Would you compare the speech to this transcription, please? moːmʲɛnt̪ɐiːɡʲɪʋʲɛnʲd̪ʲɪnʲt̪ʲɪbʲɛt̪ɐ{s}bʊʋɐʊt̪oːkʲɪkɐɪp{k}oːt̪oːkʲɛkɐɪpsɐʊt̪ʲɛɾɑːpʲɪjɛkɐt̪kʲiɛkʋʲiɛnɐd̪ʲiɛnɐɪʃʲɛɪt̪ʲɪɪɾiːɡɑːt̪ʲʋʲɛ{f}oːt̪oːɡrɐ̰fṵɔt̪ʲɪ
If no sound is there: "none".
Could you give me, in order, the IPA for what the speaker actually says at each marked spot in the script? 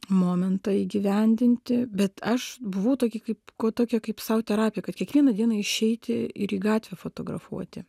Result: ʃ, k, f

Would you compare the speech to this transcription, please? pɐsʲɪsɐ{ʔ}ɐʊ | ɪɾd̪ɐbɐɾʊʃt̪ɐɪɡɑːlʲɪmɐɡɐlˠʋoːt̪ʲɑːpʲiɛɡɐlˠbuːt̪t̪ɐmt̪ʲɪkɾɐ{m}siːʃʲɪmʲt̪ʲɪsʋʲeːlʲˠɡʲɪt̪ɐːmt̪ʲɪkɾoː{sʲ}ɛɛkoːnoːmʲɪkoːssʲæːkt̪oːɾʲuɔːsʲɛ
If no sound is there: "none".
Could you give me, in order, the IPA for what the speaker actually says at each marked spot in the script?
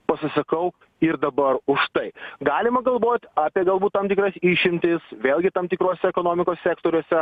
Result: k, none, sʲ

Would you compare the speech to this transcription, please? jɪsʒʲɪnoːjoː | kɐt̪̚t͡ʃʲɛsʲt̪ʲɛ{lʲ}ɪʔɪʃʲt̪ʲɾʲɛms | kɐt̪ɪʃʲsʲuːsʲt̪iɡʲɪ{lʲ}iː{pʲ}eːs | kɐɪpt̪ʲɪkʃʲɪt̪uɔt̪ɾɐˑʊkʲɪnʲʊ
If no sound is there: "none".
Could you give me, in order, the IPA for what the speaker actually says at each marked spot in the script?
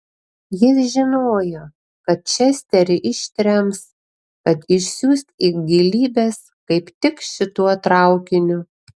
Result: ɾʲ, lʲ, bʲ

